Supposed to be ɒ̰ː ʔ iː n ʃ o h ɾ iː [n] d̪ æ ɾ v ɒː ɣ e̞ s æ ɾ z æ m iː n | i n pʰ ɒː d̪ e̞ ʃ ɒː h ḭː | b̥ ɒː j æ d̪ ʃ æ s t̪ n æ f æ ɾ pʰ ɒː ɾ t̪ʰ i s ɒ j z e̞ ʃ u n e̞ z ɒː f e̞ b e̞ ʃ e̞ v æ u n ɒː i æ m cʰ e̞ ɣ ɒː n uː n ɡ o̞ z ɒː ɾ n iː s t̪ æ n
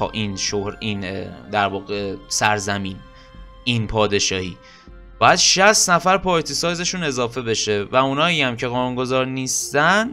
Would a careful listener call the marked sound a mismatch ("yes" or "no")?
no